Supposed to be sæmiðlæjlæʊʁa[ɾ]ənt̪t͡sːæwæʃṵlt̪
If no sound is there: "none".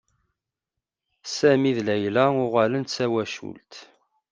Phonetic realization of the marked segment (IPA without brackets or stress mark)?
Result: l